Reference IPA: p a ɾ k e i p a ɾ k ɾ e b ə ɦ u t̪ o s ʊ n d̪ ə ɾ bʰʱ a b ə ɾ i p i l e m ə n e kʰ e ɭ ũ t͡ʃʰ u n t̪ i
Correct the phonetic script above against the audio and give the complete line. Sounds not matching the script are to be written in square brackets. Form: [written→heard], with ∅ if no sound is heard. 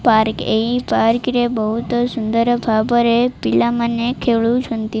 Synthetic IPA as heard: p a ɾ k e i p a ɾ k ɾ e b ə ɦ u t̪ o s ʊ n d̪ ə ɾ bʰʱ a b ə ɾ [i→e] p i l [e→a] m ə n e kʰ e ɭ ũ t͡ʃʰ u n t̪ i